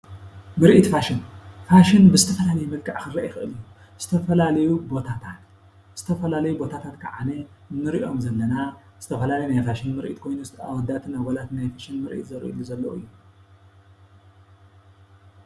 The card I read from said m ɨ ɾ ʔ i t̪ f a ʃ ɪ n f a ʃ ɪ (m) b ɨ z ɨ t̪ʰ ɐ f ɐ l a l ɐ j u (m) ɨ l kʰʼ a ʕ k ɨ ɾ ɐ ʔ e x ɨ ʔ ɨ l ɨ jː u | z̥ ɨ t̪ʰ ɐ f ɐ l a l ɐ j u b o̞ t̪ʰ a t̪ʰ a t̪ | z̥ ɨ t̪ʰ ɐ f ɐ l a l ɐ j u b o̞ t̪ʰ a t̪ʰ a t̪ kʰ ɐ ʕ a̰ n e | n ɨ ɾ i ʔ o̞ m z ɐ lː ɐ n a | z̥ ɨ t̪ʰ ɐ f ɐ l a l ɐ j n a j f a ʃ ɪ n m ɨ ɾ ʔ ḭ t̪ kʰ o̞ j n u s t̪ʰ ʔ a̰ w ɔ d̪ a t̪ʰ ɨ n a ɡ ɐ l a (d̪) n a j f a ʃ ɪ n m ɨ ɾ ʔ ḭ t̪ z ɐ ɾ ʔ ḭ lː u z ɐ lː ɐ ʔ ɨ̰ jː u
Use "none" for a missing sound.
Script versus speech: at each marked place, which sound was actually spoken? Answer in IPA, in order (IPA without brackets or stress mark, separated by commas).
n, m, t̪